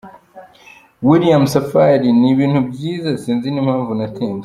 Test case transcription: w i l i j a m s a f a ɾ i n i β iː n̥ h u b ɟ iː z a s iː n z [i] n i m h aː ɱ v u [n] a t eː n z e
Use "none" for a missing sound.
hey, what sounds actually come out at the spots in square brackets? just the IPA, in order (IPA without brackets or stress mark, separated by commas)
i, n